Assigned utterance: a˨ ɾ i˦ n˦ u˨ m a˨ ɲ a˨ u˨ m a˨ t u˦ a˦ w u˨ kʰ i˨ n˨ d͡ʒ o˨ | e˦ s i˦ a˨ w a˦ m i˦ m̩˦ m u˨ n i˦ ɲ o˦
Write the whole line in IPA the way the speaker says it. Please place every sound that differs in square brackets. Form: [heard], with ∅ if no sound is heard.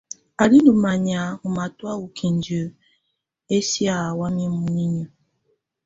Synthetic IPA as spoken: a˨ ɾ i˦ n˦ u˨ m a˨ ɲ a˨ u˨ m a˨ t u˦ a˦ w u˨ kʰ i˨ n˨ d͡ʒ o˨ | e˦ s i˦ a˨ w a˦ m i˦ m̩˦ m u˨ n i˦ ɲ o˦